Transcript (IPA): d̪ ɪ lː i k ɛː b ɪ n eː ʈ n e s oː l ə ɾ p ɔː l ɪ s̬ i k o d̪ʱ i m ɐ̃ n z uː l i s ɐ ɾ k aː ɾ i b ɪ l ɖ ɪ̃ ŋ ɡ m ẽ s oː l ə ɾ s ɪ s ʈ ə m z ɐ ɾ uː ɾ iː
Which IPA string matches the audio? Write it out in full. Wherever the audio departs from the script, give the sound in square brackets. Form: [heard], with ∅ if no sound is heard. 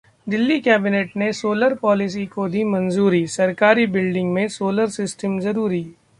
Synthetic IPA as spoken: d̪ ɪ lː i k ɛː b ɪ n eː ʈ n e s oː l ə ɾ p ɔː l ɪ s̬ i k o d̪ʱ i m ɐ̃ n z uː [ɾ] i s ɐ ɾ k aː ɾ i b ɪ l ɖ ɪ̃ ŋ ɡ m ẽ s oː l ə ɾ s ɪ s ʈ ə m z ɐ ɾ uː ɾ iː